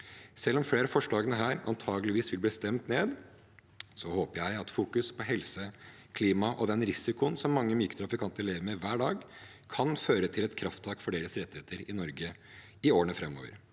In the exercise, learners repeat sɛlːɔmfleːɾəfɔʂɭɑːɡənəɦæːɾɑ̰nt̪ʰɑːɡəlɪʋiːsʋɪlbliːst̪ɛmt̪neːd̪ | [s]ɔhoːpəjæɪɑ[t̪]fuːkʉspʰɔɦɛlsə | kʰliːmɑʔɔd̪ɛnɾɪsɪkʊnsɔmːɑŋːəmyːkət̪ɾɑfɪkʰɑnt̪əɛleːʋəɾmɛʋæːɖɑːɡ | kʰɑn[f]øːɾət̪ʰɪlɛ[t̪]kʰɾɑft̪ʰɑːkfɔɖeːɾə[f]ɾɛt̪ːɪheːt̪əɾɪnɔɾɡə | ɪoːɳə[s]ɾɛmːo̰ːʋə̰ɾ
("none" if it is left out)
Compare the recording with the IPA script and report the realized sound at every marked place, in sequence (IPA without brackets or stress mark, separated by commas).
s, t̪, f, t̪, s, f